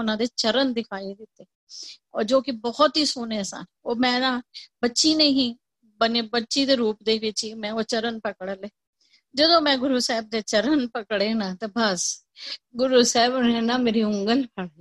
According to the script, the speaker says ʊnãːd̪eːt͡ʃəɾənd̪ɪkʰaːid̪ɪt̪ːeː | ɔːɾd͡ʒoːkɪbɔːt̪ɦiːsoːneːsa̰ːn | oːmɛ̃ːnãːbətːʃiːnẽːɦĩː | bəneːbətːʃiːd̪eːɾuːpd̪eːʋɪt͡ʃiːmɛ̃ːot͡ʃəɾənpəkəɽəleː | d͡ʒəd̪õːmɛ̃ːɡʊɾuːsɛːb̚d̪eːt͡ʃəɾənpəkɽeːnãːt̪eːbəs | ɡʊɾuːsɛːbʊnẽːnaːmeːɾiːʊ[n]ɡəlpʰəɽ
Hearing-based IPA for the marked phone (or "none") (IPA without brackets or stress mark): ŋ